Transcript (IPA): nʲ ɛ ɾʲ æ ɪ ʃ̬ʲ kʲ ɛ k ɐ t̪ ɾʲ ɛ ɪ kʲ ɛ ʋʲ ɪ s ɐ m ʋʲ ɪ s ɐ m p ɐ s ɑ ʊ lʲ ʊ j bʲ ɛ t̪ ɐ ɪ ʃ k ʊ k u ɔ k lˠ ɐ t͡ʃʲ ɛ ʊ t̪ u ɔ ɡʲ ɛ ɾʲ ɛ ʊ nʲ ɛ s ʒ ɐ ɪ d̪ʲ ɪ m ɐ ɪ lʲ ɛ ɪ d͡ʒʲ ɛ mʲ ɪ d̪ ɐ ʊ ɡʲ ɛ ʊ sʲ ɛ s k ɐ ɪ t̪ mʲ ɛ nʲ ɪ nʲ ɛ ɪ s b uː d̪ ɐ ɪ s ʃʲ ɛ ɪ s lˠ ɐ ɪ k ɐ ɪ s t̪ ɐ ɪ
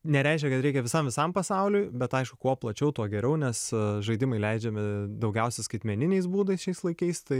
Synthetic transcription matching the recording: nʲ ɛ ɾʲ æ ɪ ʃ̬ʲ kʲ ɛ k ɐ t̪ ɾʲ ɛ ɪ kʲ ɛ ʋʲ ɪ s ɐ m ʋʲ ɪ s ɐ m p ɐ s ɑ ʊ lʲ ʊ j bʲ ɛ t̪ ɐ ɪ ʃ k ʊ k u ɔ p lˠ ɐ t͡ʃʲ ɛ ʊ t̪ u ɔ ɡʲ ɛ ɾʲ ɛ ʊ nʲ ɛ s ʒ ɐ ɪ d̪ʲ ɪ m ɐ ɪ lʲ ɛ ɪ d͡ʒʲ ɛ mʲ ɪ d̪ ɐ ʊ ɡʲ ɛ ʊ sʲ ɛ s k ɐ ɪ t̪ mʲ ɛ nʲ ɪ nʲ ɛ ɪ s b uː d̪ ɐ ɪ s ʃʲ ɛ ɪ s lˠ ɐ ɪ k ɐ ɪ s t̪ ɐ ɪ